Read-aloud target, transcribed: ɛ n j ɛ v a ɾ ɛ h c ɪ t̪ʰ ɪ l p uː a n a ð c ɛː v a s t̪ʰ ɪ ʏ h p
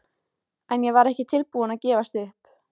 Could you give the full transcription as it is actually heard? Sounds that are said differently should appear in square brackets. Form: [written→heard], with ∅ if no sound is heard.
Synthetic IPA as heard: ɛ n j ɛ v a ɾ ɛ h c ɪ t̪ʰ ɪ l p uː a n a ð c ɛː v a s [t̪ʰ→t̪] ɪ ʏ h p